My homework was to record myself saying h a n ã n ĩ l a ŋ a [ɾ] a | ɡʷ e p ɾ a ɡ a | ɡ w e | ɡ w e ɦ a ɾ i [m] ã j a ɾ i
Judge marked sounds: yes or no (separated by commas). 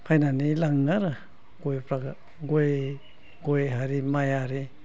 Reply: yes, yes